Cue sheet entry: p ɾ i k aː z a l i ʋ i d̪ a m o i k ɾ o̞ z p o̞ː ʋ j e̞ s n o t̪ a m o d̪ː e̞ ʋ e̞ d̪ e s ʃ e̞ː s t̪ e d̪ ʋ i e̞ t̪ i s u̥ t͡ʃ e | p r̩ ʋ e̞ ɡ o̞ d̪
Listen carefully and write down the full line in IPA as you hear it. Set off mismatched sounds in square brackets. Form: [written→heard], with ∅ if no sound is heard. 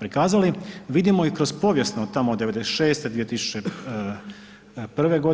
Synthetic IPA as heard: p ɾ i k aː z a l i ʋ i d̪ [a→i] m o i k ɾ o̞ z p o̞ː ʋ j e̞ s n o t̪ a m o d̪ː e̞ ʋ e̞ d̪ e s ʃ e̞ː s t̪ e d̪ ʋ i e̞ t̪ i s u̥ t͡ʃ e | p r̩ ʋ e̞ ɡ o̞ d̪